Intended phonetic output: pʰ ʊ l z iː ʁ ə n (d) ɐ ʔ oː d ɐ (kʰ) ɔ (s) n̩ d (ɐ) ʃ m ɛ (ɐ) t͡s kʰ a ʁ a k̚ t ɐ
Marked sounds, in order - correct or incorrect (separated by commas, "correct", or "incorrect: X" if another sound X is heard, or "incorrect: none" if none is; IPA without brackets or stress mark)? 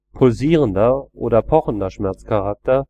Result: correct, incorrect: pʰ, incorrect: χ, correct, correct